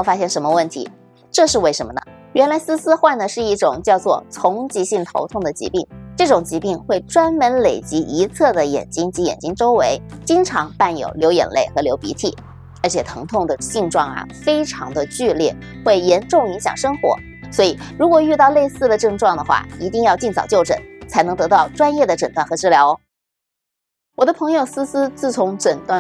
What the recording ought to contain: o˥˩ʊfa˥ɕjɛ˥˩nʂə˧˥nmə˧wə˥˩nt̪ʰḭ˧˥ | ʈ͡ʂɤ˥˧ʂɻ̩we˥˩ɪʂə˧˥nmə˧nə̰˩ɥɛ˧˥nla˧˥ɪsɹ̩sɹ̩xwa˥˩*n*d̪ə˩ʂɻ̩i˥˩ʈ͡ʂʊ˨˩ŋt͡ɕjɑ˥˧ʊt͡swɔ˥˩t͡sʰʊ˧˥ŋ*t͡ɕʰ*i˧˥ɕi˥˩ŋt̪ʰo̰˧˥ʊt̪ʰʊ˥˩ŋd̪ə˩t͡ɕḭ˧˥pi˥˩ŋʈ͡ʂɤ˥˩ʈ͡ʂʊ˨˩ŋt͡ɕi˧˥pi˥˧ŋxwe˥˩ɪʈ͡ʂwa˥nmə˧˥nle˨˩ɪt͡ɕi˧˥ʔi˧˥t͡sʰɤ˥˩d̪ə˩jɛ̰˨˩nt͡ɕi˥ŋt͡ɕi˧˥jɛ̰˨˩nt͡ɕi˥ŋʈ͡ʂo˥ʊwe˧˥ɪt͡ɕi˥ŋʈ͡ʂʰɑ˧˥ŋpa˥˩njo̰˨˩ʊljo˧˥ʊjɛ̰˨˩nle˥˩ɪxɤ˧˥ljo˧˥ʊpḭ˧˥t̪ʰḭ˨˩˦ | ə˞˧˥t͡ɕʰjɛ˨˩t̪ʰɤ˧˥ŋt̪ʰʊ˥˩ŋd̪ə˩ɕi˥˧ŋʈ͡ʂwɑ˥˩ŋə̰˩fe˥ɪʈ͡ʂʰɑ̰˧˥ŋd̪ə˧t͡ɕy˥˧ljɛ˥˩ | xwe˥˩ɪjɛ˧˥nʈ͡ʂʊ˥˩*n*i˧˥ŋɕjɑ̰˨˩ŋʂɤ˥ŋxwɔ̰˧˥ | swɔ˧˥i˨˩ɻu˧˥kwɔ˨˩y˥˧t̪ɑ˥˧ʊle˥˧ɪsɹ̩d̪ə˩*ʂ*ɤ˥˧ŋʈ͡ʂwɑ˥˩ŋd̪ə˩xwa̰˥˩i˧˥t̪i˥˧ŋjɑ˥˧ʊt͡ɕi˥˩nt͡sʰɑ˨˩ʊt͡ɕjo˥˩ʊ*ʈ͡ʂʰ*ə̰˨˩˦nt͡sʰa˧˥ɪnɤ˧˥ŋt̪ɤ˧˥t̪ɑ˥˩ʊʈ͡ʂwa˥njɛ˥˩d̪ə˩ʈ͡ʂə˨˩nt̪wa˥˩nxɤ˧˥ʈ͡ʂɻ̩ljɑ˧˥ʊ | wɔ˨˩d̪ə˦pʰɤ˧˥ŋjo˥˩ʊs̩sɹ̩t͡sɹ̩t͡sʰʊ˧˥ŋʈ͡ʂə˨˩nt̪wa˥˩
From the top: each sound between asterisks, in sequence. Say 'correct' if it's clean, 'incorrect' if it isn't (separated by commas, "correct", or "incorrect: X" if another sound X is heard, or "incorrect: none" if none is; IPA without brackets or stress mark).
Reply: correct, incorrect: t͡ɕ, incorrect: ŋ, incorrect: ʈ͡ʂ, incorrect: ʈ͡ʂ